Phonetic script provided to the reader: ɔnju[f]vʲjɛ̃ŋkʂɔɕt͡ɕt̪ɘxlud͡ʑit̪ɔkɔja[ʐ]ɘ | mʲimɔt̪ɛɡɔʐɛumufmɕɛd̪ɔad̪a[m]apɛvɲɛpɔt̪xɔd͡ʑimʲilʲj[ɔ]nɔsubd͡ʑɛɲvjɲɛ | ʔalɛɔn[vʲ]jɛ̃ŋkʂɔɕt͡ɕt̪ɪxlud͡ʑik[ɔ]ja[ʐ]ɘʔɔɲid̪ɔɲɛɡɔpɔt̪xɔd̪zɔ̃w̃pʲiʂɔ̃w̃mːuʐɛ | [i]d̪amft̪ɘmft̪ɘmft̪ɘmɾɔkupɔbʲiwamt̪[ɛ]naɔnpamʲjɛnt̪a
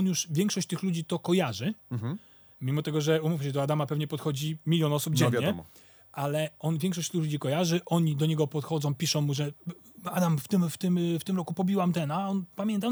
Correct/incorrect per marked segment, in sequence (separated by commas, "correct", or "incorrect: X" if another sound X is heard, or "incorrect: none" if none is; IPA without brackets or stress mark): incorrect: ʂ, correct, correct, correct, correct, correct, correct, incorrect: a, correct